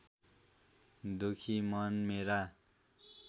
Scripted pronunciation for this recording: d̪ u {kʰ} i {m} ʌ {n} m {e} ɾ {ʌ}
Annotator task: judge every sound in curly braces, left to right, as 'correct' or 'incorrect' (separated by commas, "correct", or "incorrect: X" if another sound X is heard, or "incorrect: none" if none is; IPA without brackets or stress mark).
correct, correct, correct, correct, incorrect: a